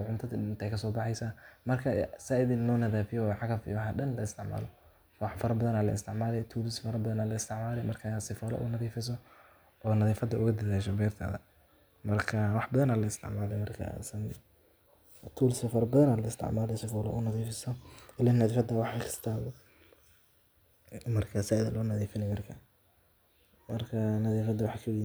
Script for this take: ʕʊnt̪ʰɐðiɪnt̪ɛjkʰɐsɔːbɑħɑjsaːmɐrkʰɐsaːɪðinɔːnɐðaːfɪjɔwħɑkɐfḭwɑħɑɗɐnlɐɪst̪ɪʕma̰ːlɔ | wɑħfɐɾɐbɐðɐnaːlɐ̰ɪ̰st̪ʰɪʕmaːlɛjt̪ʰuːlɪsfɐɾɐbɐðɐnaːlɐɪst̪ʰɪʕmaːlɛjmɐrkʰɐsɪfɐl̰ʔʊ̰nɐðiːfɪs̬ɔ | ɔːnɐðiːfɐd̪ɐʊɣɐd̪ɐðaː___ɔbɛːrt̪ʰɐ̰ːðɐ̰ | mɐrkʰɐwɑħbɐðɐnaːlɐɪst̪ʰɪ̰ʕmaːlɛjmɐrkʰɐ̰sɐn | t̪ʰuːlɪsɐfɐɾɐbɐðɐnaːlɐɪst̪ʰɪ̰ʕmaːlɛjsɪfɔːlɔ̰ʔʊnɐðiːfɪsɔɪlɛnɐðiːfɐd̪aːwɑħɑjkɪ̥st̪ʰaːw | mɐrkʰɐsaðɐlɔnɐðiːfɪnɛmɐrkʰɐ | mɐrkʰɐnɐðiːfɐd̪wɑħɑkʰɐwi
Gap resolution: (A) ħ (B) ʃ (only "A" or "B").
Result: B